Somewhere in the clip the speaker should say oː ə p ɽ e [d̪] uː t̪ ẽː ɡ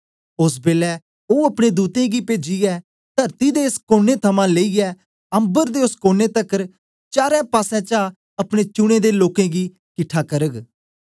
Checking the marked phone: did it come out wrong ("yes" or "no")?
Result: no